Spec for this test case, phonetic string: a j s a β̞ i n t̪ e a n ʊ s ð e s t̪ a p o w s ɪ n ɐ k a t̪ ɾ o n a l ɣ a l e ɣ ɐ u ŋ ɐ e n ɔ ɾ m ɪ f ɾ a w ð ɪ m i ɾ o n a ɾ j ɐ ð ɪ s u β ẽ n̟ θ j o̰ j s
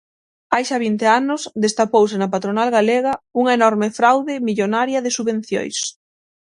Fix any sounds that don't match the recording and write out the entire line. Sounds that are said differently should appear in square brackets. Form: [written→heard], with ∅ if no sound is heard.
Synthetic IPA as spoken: a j [s→ʃ] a β̞ i n t̪ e a n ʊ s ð e s t̪ a p o w s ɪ n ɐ [k→p] a t̪ ɾ o n a l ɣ a l e ɣ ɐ u ŋ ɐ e n ɔ ɾ m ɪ f ɾ a w ð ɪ m i [ɾ→ʎ] o n a ɾ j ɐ ð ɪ s u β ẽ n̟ θ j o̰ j s